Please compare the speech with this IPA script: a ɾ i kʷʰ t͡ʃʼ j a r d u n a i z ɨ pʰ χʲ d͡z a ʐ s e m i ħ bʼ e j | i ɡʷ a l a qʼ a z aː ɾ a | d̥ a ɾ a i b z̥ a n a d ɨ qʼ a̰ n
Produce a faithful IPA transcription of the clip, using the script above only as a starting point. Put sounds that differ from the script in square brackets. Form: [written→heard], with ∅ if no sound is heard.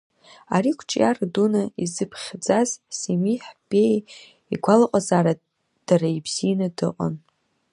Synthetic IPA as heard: a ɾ i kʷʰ t͡ʃʼ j a r d u n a i z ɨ pʰ χʲ d͡z a [ʐ→z] s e m i ħ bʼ e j | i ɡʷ a l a qʼ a z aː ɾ a | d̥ a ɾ a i b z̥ [a→i] n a d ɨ qʼ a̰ n